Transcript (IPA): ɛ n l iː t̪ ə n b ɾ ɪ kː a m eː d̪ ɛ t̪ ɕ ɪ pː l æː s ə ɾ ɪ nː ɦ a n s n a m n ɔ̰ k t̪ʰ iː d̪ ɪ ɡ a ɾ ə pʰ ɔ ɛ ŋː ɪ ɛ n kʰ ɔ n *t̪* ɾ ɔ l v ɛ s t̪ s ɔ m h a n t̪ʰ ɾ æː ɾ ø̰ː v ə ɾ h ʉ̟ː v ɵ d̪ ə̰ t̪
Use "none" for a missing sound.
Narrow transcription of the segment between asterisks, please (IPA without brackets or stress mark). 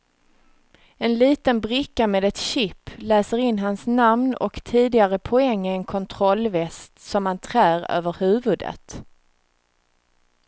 t̪ʰ